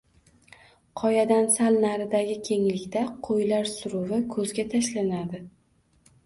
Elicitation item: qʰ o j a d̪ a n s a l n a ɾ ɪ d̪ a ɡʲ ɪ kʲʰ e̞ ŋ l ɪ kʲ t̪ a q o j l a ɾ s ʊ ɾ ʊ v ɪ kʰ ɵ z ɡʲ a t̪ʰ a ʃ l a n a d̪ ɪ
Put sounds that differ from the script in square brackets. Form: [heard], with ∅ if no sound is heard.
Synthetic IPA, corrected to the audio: qʰ [ɒ] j a d̪ a n s a l n a ɾ ɪ d̪ a ɡʲ ɪ kʲʰ e̞ ŋ l ɪ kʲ t̪ a [qʰ] o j l a ɾ s ʊ ɾ ʊ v ɪ kʰ ɵ z ɡʲ a t̪ʰ a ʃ l a n a d̪ ɪ